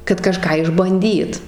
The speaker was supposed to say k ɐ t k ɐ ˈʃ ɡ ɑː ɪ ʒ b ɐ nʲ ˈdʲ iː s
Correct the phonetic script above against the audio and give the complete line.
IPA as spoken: k ɐ t k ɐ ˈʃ k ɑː ɪ ʒ b ɐ nʲ ˈdʲ iː t